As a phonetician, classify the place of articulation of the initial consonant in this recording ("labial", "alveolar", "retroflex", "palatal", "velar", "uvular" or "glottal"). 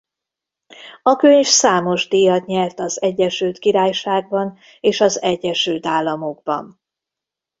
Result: velar